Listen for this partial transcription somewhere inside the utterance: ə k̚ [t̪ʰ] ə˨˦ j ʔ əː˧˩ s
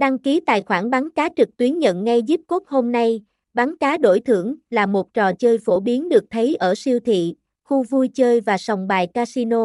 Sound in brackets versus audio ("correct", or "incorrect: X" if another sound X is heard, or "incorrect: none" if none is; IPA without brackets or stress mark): correct